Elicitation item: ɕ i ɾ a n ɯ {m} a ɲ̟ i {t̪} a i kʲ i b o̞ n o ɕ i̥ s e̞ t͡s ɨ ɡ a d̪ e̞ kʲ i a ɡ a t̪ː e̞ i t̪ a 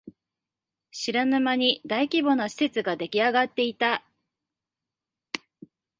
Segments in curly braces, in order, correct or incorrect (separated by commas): correct, incorrect